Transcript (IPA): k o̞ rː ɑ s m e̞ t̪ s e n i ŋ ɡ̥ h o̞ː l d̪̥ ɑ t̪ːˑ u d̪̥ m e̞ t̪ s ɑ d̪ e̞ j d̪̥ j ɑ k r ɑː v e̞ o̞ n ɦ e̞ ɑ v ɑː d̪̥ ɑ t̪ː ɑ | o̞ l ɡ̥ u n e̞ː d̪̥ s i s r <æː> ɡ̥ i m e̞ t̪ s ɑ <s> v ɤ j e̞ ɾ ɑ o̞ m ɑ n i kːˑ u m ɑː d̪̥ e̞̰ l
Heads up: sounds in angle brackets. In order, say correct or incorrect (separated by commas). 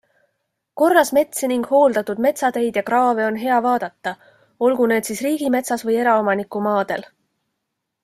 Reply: incorrect, correct